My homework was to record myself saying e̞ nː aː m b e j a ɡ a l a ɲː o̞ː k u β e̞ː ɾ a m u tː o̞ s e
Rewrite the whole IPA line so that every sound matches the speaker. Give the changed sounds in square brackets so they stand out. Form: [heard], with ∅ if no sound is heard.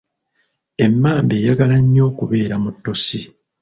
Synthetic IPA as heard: e̞ [mː] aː m b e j a ɡ a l a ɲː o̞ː k u β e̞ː ɾ a m u tː o̞ s [i]